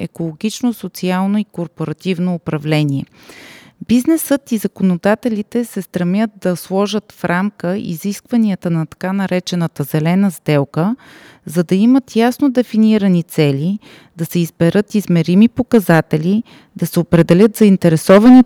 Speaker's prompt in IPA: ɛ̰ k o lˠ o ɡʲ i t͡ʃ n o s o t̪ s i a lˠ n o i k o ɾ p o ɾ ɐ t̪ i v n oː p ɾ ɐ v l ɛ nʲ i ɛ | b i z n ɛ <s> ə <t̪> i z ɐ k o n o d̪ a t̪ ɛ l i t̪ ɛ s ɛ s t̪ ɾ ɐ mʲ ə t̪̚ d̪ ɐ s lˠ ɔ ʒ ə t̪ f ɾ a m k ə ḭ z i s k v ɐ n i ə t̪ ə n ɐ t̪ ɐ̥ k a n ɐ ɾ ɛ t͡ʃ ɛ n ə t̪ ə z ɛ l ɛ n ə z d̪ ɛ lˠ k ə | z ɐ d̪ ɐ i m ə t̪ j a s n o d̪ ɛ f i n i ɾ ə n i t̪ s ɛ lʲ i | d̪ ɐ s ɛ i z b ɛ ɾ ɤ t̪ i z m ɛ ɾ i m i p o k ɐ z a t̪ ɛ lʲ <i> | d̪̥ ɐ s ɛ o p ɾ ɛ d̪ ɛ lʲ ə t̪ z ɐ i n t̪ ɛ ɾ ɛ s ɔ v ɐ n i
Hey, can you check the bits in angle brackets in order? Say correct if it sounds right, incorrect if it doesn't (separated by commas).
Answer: correct, correct, correct